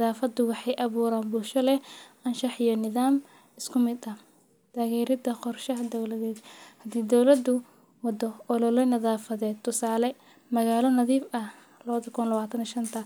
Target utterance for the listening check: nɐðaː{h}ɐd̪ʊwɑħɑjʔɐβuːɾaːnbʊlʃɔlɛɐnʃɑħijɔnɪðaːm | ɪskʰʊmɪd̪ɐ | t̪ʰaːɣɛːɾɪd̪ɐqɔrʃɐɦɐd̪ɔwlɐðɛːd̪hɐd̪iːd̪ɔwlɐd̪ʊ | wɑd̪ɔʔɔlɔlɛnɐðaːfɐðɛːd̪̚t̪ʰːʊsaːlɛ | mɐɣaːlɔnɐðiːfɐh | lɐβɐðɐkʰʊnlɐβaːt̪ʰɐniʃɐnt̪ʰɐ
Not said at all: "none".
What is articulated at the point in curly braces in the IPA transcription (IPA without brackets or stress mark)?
f